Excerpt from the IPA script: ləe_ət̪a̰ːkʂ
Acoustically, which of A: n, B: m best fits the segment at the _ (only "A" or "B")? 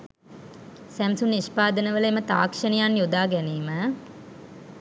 B